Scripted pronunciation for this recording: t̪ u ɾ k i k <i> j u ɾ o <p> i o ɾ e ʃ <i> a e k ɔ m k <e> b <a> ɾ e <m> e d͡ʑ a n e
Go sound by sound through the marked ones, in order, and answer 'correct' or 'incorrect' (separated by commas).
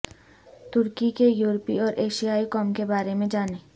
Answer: incorrect, correct, correct, correct, correct, correct